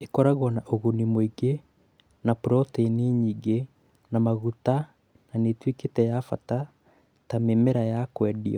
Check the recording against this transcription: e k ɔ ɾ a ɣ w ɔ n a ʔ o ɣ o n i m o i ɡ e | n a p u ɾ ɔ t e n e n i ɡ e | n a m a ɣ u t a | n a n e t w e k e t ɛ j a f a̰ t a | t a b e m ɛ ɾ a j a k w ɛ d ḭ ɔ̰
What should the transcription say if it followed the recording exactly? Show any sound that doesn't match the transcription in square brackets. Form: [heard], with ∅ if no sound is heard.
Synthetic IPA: e k ɔ ɾ a ɣ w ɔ n a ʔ o ɣ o n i m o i ɡ e | n a p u ɾ ɔ t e n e [ɲ] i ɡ e | n a m a ɣ u t a | n a n e t w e k e t ɛ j a f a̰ t a | t a [m] e m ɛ ɾ a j a k w ɛ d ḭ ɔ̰